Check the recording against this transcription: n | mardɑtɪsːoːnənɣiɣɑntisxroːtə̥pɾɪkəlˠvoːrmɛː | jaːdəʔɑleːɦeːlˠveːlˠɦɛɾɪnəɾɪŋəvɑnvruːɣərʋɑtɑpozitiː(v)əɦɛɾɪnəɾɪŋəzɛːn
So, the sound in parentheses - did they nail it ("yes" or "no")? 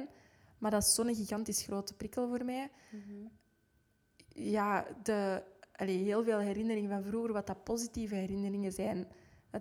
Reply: yes